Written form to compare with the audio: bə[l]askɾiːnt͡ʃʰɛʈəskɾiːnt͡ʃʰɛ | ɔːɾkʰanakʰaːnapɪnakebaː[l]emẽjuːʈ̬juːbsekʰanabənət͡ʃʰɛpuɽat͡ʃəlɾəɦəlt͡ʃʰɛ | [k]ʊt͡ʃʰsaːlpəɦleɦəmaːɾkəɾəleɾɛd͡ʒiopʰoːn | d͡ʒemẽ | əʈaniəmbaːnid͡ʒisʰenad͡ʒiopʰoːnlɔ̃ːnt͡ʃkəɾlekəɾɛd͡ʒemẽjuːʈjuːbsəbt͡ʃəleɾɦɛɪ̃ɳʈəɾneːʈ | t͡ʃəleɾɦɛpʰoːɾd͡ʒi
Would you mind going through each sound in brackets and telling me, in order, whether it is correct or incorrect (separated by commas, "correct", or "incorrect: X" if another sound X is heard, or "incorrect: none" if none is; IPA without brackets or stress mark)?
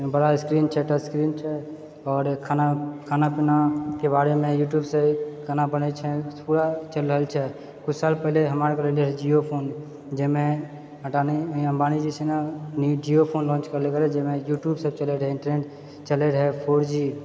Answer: incorrect: ɽ, incorrect: ɾ, correct